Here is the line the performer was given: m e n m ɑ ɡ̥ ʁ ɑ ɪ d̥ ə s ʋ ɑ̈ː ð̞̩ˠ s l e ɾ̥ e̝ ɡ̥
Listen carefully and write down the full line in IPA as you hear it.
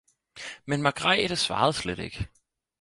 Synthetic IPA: m e n m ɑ ɡ̥ ʁ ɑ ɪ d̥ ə s ʋ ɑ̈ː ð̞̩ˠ s l e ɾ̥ e̝ ɡ̥